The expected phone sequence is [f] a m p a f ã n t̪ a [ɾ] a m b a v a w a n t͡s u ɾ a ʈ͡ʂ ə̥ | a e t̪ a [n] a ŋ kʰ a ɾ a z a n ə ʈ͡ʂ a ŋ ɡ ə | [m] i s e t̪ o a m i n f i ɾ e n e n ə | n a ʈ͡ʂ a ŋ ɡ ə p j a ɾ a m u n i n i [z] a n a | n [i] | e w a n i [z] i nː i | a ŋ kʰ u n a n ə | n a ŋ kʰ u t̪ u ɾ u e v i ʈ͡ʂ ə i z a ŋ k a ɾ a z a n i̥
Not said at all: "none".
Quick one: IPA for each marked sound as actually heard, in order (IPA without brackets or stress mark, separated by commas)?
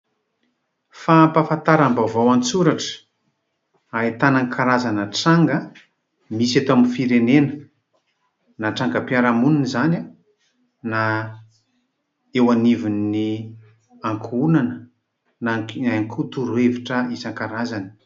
f, ɾ, n, m, z, a, v